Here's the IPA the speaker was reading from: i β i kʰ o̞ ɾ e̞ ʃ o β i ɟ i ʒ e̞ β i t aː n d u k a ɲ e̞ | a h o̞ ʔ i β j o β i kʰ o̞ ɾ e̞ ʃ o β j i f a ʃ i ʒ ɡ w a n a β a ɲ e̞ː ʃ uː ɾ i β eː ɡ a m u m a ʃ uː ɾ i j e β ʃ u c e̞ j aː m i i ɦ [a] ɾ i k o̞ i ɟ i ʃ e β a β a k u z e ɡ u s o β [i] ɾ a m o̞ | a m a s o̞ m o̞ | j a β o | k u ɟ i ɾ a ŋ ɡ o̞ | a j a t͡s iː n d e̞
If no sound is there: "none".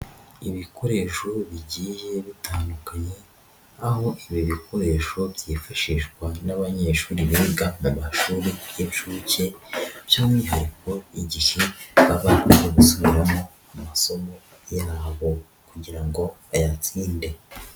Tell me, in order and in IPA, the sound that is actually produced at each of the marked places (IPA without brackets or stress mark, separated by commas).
a, i